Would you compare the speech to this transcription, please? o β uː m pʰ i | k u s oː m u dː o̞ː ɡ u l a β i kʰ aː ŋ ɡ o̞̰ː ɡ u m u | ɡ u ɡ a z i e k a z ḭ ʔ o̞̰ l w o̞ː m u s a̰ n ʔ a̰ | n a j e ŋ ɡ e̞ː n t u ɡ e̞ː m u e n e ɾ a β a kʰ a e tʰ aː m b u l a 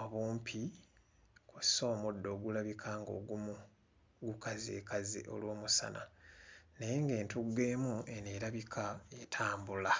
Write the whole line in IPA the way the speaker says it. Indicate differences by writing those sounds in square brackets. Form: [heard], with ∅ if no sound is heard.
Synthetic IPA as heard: o β uː m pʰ i | k u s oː m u dː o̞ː ɡ u l a β i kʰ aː ŋ ɡ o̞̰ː ɡ u m u | ɡ u [k] a z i e k a z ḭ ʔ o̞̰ l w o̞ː m u s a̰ n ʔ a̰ | n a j e ŋ ɡ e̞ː n t u ɡ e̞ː m u e n e ɾ a β [i] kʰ a e tʰ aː m b u l a